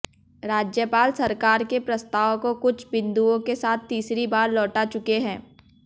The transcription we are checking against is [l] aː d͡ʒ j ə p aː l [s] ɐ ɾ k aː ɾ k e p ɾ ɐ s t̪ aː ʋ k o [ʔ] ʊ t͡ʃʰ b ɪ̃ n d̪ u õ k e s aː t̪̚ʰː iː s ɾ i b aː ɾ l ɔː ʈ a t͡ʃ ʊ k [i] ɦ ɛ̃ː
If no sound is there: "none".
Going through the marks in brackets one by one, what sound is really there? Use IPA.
ɾ, s, k, e

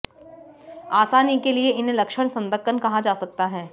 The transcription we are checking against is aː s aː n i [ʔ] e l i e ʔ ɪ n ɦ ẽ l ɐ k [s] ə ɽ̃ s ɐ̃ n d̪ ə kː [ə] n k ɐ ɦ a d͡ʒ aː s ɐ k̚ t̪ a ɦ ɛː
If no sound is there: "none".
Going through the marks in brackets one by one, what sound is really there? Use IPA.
k, ʃ, ə

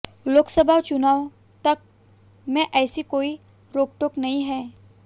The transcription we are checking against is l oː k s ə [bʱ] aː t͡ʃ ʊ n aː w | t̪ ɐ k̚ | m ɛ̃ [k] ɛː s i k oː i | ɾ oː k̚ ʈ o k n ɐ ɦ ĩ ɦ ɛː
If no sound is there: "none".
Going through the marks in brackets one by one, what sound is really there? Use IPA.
bʱ, ʔ

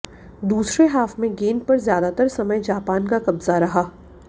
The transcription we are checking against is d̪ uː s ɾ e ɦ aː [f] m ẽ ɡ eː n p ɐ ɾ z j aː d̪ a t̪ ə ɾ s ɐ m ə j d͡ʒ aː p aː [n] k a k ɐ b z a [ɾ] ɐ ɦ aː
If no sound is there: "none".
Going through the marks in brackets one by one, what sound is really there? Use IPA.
f, n, ɾ

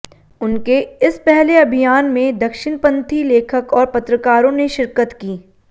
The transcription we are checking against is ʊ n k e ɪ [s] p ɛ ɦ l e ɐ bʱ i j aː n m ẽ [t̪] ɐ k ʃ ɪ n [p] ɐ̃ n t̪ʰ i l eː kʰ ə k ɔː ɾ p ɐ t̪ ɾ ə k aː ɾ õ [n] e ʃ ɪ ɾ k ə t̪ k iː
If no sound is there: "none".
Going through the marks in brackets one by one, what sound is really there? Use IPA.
s, d̪, p, n

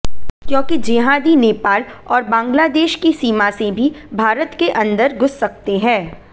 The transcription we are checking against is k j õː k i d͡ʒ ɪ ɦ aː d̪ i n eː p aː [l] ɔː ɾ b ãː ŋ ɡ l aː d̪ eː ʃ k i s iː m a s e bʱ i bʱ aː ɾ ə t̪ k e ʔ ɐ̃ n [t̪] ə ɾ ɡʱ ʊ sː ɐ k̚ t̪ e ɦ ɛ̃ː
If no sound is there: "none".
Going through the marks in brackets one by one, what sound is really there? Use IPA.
l, d̪

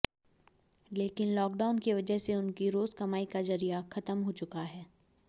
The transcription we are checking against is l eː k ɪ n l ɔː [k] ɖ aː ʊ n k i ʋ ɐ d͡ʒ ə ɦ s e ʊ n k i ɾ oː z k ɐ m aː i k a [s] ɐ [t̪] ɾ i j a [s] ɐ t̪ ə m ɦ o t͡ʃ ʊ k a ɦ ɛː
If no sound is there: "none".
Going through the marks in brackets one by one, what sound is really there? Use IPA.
k, z, none, x

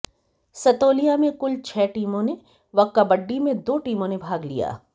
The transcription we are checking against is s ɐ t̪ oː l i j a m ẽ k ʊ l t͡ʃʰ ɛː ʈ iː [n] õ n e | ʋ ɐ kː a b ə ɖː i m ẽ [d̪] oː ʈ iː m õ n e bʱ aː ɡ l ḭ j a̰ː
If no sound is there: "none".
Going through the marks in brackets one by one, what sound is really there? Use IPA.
m, d̪

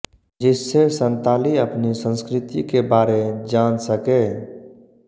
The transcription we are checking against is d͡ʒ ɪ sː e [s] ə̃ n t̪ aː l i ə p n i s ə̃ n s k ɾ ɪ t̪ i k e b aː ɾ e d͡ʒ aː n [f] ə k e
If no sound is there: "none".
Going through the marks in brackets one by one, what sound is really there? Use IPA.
s, s

